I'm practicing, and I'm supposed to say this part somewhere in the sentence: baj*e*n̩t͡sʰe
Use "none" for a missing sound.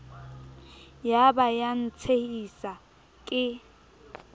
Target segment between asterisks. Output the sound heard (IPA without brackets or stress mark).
a